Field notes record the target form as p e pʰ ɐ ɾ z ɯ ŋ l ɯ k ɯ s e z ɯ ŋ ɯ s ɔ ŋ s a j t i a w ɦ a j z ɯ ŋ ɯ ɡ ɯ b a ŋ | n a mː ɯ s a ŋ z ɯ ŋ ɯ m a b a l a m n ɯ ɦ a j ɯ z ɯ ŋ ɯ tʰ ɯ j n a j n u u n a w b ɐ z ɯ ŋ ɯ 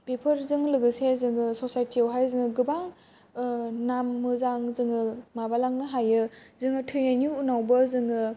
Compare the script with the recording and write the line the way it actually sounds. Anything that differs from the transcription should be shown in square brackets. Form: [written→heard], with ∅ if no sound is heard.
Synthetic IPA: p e pʰ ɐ ɾ z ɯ ŋ l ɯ [k→ɡ] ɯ s e z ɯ ŋ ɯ s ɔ [ŋ→∅] s a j t i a w ɦ a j z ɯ ŋ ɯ ɡ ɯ b a ŋ | n a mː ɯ [s→z] a ŋ z ɯ ŋ ɯ m a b a l a [m→ŋ] n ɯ ɦ a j ɯ z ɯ ŋ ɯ tʰ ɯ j n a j n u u n a w b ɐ z ɯ ŋ ɯ